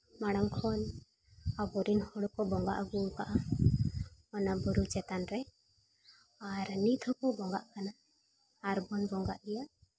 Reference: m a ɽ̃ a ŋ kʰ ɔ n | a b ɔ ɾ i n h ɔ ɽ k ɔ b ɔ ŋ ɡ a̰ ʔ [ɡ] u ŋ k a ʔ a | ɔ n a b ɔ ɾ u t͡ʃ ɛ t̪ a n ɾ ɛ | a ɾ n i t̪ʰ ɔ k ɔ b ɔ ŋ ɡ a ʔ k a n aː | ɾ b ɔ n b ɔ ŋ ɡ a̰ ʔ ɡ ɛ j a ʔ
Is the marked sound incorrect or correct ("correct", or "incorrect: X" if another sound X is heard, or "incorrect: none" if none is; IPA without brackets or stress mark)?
correct